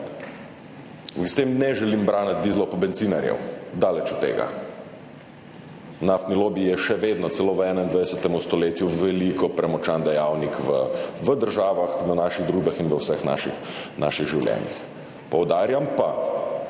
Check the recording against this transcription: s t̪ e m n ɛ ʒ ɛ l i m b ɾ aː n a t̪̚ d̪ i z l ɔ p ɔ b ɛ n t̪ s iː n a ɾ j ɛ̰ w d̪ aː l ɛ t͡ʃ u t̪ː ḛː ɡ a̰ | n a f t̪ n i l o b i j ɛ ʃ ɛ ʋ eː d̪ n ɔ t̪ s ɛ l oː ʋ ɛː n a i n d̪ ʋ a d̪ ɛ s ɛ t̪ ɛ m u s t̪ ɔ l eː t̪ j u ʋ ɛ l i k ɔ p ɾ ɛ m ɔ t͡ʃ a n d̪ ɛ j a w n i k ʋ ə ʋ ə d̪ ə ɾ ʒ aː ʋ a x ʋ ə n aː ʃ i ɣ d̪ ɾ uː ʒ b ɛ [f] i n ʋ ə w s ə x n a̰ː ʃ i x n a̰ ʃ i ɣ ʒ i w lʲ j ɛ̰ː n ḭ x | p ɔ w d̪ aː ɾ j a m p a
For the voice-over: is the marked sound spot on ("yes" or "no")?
no